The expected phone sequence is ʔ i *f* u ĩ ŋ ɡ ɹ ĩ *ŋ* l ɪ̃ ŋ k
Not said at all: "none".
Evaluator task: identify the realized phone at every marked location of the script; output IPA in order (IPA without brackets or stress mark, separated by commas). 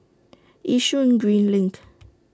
ʃ, n